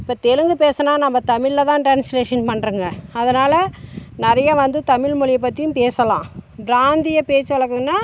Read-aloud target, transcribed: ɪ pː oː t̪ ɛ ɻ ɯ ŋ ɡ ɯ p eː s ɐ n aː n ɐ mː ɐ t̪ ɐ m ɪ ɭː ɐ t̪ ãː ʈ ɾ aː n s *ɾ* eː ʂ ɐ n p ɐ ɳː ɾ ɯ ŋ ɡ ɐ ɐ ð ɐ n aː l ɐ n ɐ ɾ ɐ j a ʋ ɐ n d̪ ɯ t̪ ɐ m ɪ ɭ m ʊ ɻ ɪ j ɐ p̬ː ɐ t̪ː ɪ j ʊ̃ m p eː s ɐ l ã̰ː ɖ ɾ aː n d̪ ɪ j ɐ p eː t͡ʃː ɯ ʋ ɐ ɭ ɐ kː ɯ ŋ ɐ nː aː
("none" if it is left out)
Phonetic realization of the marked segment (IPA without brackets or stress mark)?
l